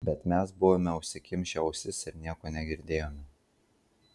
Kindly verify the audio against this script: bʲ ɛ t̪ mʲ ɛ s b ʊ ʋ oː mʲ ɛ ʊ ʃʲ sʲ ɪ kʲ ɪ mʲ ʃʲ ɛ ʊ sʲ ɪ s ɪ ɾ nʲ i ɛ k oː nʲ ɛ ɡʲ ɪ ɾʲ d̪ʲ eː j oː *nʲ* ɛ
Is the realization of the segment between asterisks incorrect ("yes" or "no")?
yes